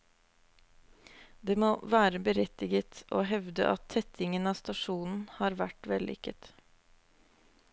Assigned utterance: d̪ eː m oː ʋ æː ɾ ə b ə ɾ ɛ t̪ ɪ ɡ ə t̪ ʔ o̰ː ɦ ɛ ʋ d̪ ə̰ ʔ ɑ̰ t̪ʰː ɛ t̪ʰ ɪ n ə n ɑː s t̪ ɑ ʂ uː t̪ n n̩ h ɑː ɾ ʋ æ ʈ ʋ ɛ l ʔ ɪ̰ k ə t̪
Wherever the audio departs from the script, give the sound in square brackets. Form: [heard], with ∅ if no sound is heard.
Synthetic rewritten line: d̪ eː m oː ʋ æː ɾ ə b ə ɾ ɛ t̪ ɪ ɡ ə t̪ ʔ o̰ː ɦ ɛ ʋ d̪ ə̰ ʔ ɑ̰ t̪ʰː ɛ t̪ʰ ɪ [ŋ] ə n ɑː s t̪ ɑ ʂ uː [∅] n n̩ h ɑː ɾ ʋ æ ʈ ʋ ɛ l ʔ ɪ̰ k ə t̪